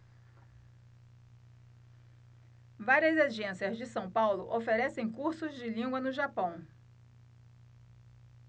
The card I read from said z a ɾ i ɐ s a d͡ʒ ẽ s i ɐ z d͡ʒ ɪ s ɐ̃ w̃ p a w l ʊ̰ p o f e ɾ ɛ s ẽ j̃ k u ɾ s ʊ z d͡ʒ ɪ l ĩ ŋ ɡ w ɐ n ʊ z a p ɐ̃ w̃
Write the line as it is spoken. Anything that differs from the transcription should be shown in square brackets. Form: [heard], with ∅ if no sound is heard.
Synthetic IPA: [v] a ɾ i ɐ [z] a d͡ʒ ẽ s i ɐ z d͡ʒ ɪ s ɐ̃ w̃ p a w l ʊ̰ [ʔ] o f e ɾ ɛ s ẽ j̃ k u ɾ s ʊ z d͡ʒ ɪ l ĩ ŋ ɡ w ɐ n ʊ [ʒ] a p ɐ̃ w̃